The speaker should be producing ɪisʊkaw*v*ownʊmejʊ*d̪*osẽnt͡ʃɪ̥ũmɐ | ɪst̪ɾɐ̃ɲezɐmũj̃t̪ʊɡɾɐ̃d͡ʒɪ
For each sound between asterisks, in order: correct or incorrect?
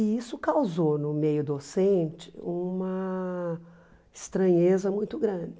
incorrect: z, correct

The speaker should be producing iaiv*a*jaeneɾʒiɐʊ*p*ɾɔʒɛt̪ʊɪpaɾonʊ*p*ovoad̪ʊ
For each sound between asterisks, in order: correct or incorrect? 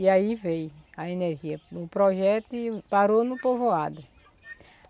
incorrect: e, correct, correct

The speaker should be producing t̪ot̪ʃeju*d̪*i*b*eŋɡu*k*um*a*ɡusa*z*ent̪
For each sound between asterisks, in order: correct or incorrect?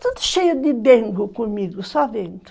correct, correct, correct, incorrect: i, incorrect: v

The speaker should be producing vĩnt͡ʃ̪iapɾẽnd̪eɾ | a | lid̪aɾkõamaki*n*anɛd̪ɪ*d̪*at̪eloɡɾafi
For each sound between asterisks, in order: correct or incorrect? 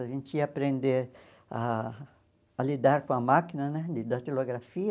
correct, correct

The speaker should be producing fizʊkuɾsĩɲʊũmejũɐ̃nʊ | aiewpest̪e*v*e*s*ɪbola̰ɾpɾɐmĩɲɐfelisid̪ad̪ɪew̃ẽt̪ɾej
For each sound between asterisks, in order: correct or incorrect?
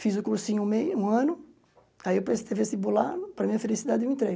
correct, correct

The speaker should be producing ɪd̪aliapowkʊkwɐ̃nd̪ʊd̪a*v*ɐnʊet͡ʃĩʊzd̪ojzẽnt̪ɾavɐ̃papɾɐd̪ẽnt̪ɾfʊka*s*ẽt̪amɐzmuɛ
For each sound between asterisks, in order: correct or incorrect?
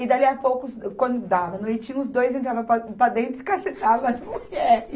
correct, correct

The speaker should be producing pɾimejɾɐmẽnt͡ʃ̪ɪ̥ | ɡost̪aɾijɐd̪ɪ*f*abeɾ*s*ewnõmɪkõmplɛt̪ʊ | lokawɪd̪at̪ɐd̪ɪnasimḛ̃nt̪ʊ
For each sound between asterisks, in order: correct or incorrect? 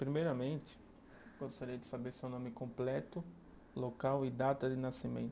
incorrect: s, correct

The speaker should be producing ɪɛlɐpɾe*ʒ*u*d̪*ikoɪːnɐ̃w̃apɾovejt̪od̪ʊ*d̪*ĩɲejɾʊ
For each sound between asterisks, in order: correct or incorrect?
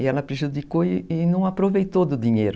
correct, correct, correct

